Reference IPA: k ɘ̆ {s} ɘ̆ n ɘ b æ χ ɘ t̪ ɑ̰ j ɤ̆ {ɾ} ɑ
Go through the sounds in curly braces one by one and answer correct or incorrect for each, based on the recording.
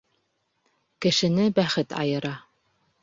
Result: incorrect: ʃ, correct

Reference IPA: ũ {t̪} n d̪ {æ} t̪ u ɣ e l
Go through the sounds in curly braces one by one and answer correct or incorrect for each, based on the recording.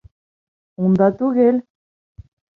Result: incorrect: none, incorrect: a

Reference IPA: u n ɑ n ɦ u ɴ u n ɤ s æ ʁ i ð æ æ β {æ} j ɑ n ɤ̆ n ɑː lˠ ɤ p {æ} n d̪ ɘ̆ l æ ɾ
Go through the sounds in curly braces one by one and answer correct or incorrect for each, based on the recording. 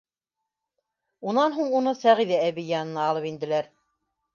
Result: incorrect: i, incorrect: i

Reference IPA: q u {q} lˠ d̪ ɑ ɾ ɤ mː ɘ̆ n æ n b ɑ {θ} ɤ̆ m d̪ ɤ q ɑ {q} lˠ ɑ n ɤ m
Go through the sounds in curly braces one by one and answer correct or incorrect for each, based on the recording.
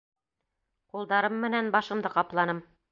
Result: incorrect: none, incorrect: ʃ, incorrect: p

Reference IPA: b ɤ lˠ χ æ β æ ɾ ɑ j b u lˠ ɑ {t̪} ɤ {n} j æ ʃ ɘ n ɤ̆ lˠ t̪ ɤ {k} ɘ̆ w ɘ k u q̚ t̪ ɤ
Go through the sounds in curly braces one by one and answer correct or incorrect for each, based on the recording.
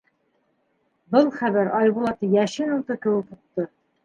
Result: correct, incorrect: none, correct

